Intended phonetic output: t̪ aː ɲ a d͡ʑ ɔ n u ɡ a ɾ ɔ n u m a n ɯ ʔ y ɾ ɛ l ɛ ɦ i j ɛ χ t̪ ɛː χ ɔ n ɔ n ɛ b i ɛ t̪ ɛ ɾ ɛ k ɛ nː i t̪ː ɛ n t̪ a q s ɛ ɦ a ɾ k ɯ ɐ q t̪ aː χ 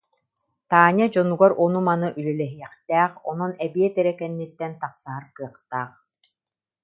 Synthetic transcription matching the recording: t̪ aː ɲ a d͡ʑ ɔ n u ɡ a ɾ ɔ n u m a n ɯ ʔ y l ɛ l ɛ ɦ i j ɛ χ t̪ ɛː χ ɔ n ɔ n ɛ b i ɛ t̪ ɛ ɾ ɛ k ɛ nː i t̪ː ɛ n t̪ a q s a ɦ a ɾ k ɯ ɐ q t̪ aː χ

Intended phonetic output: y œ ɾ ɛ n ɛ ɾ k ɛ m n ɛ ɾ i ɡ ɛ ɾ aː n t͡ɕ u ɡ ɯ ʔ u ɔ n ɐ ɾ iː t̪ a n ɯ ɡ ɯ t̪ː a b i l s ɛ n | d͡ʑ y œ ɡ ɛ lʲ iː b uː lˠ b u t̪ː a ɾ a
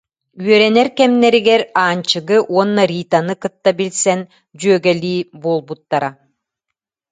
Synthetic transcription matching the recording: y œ ɾ ɛ n ɛ ɾ k ɛ m n ɛ ɾ i ɡ ɛ ɾ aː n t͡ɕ ɯ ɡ ɯ ʔ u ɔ nː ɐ ɾ iː t̪ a n ɯ k ɯ t̪ː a b i l s ɛ n | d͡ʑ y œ ɡ ɛ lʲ iː b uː lˠ b u t̪ː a ɾ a

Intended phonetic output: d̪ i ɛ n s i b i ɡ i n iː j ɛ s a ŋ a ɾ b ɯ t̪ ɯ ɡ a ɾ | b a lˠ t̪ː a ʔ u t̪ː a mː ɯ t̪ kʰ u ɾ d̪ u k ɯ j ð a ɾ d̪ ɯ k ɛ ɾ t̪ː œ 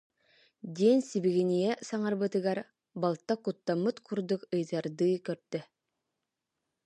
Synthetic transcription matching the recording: d̪ i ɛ n s i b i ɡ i n i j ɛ s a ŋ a ɾ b ɯ t̪ ɯ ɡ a ɾ | b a lˠ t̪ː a k u t̪ː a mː ɯ t̪ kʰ u ɾ d̪ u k ɯ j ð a ɾ d̪ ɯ k œ ɾ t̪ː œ

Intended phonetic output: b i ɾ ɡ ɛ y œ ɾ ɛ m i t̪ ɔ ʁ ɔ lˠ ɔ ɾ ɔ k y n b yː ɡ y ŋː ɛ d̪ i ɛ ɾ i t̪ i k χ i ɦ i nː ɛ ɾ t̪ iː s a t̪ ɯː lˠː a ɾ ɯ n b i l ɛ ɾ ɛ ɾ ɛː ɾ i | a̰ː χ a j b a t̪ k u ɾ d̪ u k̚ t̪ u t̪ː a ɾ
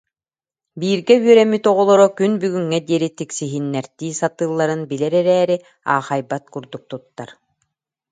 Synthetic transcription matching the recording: b iː ɾ ɡ ɛ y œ ɾ ɛ m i t̪ ɔ ʁ ɔ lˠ ɔ ɾ ɔ k y n b y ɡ y ŋː ɛ d̪ i ɛ ɾ i t̪ i k s i ɦ i nː ɛ ɾ t̪ iː s a t̪ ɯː lˠː a ɾ ɯ n b i l ɛ ɾ ɛ ɾ ɛː ɾ i | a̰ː χ a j b a t̪ k u ɾ d̪ u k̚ t̪ u t̪ː a ɾ

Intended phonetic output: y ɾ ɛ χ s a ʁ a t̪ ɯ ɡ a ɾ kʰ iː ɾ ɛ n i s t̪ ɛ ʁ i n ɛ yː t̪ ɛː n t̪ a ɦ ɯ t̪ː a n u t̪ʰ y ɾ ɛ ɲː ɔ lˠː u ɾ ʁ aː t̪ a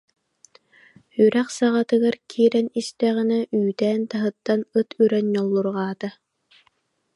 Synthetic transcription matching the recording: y ɾ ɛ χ s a ʁ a t̪ ɯ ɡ a ɾ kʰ iː ɾ ɛ n i s t̪ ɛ ʁ i n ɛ yː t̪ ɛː n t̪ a ɦ ɯ t̪ː a n ɯ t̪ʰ y ɾ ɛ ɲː ɔ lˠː u ɾ ʁ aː t̪ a

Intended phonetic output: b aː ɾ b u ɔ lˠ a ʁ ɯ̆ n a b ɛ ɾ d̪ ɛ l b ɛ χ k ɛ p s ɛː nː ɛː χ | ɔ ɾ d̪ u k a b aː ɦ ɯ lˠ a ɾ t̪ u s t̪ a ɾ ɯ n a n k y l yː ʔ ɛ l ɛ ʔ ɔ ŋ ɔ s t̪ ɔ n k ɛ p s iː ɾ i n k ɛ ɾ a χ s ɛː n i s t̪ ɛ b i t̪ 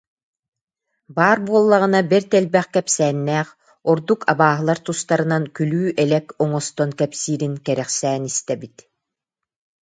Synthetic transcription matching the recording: b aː ɾ b u ɔ lˠː a ʁ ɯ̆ n a b ɛ ɾ t̪ ɛ l b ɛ χ k ɛ p s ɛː nː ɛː χ | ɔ ɾ d̪ u k a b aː ɦ ɯ lˠ a ɾ t̪ u s t̪ a ɾ ɯ n a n k y l yː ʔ ɛ l ɛ k ɔ ŋ ɔ s t̪ ɔ n k ɛ p s iː ɾ i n k ɛ ɾ ɛ χ s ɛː n i s t̪ ɛ b i t̪

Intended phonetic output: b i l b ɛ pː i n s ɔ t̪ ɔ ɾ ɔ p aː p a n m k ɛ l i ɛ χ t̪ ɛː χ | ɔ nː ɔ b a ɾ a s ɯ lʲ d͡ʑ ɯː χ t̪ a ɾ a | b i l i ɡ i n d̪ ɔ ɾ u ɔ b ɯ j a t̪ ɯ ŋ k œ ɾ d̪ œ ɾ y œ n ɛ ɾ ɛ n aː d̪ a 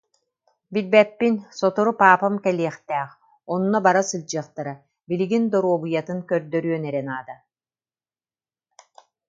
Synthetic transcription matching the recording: b i l b ɛ pː i n s ɔ t̪ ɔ ɾ u p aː p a m k ɛ l i ɛ χ t̪ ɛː χ | ɔ nː ɔ b a ɾ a s ɯ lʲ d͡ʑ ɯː χ t̪ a ɾ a | b i l i ɡ i n d̪ ɔ ɾ u ɔ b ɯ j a t̪ ɯ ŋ k œ ɾ d̪ œ ɾ y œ n ɛ ɾ ɛ n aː d̪ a

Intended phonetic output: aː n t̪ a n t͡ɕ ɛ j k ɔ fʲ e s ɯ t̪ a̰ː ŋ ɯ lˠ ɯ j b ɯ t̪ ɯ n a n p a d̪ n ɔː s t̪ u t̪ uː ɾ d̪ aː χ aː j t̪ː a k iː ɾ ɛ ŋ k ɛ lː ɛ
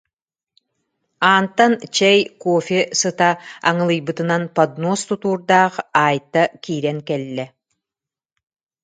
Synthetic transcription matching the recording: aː n t̪ a n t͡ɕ ɛ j k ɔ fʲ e s ɯ t̪ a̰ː ŋ ɯ lˠ ɯ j b ɯ t̪ ɯ n a n p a d̪ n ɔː s t̪ u t̪ uː ɾ d̪ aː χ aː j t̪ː a k iː ɾ ɛ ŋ k ɛ lː ɛ

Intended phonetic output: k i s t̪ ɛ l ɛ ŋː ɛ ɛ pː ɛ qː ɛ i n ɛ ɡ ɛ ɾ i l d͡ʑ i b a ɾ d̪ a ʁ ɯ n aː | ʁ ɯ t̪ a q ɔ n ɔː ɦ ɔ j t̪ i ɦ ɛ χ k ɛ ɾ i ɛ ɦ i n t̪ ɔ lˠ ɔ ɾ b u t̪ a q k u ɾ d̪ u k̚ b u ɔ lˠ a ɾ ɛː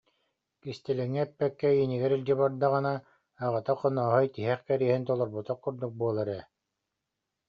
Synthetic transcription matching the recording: k i s t̪ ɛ l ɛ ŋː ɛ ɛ pː ɛ kː ɛ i n i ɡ ɛ ɾ i l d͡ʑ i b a ɾ d̪ a ʁ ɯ n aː | ʁ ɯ t̪ a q ɔ n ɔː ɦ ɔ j t̪ i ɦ ɛ χ k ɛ ɾ i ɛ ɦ i n t̪ ɔ lˠ ɔ ɾ b u t̪ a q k u ɾ d̪ u k̚ b u ɔ lˠ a ɾ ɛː

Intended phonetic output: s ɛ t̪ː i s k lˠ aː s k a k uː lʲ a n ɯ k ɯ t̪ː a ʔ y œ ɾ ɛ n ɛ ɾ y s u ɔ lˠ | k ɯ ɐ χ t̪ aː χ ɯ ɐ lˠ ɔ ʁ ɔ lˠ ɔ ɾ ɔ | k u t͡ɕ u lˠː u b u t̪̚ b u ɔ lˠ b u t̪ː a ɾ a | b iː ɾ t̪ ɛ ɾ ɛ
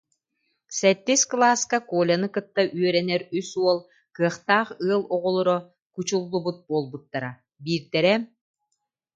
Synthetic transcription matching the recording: s ɛ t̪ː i s k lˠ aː s k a k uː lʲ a n ɯ k ɯ t̪ː a ʔ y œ ɾ ɛ n ɛ ɾ y s u ɔ lˠ | k ɯ ɐ χ t̪ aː χ ɯ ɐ lˠ ɔ ʁ ɔ lˠ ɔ ɾ ɔ | k u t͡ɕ u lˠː u b u t̪̚ b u ɔ lˠ b u t̪ː a ɾ a | b iː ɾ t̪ ɛ ɾ ɛ

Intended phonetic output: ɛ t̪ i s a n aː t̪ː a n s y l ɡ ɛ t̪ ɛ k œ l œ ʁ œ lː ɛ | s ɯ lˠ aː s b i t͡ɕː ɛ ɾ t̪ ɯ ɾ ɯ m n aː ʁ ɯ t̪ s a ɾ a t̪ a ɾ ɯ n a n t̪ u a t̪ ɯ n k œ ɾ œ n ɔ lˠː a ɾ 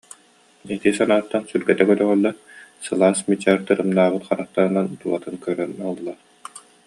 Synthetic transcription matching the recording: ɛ t̪ i s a n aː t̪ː a n s y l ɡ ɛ t̪ ɛ k œ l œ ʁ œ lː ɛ | s ɯ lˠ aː s m i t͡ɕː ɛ ɾ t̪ ɯ ɾ ɯ m n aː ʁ ɯ t̪ χ a ɾ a t̪ a ɾ ɯ n a n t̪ u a t̪ ɯ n k œ ɾ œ n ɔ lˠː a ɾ

